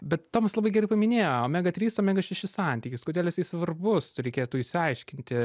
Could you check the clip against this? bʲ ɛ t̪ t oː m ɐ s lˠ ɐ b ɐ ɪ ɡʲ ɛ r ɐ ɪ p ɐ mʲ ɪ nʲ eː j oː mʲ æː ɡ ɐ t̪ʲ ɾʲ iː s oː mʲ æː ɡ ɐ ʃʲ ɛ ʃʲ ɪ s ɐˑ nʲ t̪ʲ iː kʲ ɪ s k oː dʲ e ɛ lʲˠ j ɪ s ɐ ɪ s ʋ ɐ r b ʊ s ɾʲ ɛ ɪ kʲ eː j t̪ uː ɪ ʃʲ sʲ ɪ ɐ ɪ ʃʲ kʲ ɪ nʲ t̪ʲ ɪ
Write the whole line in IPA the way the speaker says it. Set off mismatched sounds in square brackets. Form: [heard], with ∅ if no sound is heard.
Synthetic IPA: bʲ ɛ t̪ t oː m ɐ s lˠ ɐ b ɐ ɪ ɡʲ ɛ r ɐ ɪ p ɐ mʲ ɪ nʲ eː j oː mʲ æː ɡ ɐ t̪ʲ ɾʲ iː s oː mʲ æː ɡ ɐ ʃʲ ɛ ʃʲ ɪ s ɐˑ nʲ t̪ʲ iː kʲ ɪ s k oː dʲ e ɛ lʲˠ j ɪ s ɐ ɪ s ʋ ɐ r b ʊ s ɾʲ ɛ ɪ kʲ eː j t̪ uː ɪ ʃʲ sʲ ɪ ɐ ɪ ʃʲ kʲ ɪ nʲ t̪ʲ ɪ